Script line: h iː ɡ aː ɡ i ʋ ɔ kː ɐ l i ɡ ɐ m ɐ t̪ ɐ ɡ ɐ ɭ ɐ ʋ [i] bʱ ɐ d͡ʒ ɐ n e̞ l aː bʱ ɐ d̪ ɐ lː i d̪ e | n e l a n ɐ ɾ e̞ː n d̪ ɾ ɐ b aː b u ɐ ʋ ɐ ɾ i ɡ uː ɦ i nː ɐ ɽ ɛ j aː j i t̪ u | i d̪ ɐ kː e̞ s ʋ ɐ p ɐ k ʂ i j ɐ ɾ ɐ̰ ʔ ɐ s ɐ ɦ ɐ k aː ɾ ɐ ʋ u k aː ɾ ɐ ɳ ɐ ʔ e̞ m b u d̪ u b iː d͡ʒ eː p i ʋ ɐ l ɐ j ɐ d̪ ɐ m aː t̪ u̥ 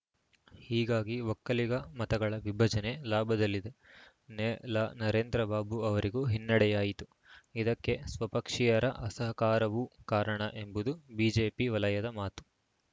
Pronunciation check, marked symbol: correct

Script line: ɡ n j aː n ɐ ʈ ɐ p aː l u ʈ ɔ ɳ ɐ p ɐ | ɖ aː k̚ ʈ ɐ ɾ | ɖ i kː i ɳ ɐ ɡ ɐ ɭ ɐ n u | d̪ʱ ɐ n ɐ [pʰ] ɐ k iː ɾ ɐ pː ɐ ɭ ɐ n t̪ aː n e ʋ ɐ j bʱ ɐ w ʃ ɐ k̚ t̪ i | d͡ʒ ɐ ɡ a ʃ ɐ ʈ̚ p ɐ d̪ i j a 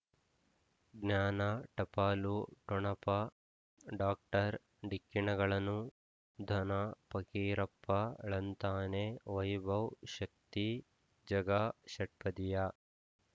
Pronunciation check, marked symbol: incorrect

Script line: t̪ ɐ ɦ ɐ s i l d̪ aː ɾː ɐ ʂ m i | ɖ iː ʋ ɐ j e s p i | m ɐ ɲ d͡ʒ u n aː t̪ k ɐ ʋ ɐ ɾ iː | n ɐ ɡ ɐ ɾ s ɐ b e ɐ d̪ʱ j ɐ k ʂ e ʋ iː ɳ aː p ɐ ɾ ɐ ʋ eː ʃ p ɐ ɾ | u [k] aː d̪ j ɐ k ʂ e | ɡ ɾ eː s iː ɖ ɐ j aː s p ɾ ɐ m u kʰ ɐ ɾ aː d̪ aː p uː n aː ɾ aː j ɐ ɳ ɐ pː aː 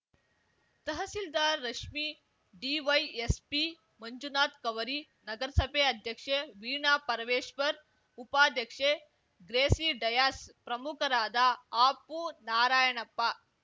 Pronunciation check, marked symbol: incorrect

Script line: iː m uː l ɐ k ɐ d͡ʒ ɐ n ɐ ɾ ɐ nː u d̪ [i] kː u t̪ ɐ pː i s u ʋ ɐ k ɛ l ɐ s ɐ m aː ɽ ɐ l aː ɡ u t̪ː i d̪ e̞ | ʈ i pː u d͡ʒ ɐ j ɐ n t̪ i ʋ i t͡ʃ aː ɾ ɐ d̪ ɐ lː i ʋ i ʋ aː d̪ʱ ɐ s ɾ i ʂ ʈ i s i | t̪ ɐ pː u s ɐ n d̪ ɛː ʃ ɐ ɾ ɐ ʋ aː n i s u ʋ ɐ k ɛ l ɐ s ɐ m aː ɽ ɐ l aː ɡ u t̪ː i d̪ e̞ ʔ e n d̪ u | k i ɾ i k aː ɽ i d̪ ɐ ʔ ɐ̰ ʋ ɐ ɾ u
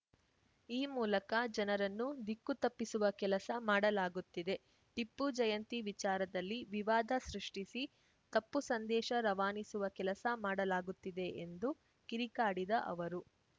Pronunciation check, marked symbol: correct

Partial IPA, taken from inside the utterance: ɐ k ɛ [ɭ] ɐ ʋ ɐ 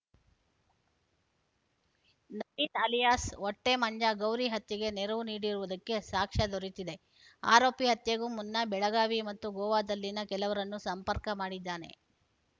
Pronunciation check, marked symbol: incorrect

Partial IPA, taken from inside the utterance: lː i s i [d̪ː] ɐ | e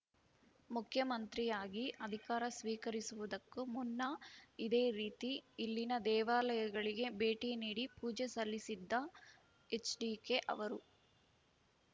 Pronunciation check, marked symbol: correct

